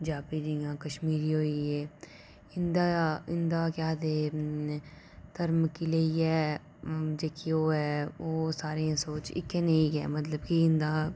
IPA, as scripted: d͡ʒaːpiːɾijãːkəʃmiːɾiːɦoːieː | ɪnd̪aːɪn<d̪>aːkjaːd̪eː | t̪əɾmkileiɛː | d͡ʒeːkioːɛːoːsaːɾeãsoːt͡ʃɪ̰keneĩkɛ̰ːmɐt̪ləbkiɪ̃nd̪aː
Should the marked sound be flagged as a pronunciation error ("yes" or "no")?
no